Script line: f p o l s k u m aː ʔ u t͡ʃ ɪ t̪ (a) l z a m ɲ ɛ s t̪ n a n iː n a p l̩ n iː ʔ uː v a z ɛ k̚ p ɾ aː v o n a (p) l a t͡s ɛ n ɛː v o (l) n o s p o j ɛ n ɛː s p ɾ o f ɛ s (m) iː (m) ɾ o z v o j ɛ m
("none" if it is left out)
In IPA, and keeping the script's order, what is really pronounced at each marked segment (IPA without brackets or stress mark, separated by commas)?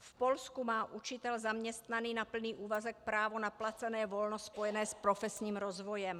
ɛ, p, l, ɲ, m